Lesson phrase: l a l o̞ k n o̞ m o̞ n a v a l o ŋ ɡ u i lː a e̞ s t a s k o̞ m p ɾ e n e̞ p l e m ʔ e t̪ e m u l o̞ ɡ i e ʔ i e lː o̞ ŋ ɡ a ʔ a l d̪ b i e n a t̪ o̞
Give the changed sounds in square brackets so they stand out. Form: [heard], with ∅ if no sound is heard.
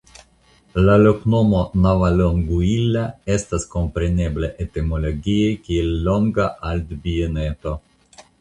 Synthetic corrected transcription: l a l o̞ k n o̞ m o̞ n a v a l o ŋ ɡ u i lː a e̞ s t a s k o̞ m p ɾ e n e̞ [b] l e [∅] ʔ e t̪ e m [o] l o̞ ɡ i e [k] i e lː o̞ ŋ ɡ a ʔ a l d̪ b i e n [e] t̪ o̞